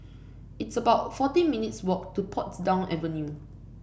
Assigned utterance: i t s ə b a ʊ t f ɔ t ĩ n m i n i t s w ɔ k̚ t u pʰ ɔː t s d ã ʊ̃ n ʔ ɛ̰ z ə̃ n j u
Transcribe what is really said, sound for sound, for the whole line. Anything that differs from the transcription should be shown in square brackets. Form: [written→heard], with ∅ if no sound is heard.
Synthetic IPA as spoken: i t s ə b a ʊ t f ɔ t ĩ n m i n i t s w ɔ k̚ t u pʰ [ɔː→ɔ] t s d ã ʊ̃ n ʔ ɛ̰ [z→v] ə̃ n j u